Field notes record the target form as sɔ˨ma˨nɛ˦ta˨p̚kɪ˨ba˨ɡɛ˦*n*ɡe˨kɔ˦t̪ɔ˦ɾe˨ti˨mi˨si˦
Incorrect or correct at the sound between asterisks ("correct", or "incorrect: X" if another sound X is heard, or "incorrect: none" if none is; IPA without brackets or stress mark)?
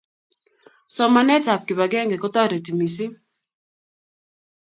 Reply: incorrect: ŋ